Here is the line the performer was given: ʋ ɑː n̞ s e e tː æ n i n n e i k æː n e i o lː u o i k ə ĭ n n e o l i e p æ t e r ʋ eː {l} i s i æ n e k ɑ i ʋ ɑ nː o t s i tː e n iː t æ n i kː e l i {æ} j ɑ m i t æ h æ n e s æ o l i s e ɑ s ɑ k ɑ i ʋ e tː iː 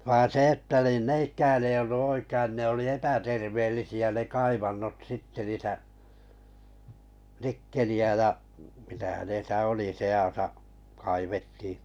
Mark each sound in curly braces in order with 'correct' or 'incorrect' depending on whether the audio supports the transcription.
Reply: incorrect: lː, correct

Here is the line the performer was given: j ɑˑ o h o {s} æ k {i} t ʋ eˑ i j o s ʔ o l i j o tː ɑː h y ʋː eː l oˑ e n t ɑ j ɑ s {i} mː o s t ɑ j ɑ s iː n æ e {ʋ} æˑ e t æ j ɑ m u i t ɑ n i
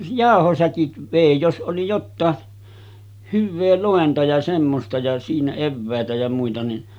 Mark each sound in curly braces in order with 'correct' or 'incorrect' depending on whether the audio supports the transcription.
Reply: correct, correct, incorrect: e, incorrect: ʋː

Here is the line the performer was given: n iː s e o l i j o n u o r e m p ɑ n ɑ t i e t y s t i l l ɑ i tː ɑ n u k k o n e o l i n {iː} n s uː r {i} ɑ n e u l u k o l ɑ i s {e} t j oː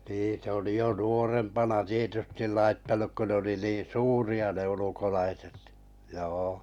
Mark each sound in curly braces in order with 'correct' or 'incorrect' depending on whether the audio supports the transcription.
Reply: correct, correct, correct

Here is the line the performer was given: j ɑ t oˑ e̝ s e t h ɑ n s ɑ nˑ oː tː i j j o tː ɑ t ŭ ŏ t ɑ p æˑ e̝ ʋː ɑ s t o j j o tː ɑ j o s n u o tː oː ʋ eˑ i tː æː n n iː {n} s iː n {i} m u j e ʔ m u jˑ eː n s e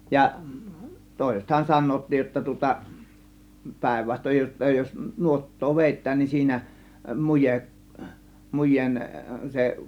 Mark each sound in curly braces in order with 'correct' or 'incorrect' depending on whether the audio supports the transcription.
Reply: correct, incorrect: æ

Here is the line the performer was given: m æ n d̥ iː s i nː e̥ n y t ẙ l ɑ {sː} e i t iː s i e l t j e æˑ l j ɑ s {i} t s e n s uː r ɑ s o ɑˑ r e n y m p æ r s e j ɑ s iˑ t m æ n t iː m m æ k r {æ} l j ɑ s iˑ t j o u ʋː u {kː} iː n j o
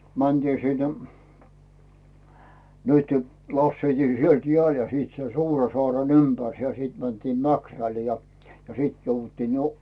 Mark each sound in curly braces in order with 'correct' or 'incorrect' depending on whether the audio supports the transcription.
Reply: correct, incorrect: iː, correct, incorrect: tː

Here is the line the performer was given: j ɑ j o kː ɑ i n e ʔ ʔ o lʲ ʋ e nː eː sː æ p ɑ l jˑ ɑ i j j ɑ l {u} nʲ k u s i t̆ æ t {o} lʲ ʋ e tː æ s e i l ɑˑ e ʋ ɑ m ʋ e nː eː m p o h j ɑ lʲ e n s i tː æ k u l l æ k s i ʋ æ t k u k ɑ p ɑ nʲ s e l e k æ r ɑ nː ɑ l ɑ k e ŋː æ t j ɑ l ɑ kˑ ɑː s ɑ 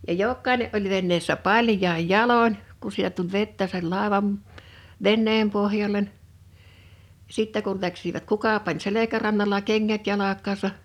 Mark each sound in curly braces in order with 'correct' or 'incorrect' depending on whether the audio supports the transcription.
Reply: incorrect: o, incorrect: u

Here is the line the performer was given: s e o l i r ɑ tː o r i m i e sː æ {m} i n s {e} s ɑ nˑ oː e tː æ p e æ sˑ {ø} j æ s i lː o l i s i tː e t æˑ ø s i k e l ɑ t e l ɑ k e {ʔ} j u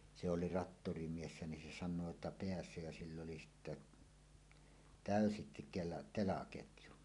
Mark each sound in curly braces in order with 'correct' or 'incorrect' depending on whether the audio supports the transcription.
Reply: incorrect: n, correct, correct, incorrect: t

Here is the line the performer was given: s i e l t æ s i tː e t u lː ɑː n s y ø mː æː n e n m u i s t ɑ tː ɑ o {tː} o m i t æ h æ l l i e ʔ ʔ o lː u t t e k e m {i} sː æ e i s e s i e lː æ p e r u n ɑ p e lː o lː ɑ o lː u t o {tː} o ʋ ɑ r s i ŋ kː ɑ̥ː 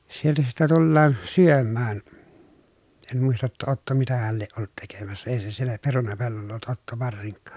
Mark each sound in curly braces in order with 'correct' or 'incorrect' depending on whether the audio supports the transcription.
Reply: correct, incorrect: æ, correct

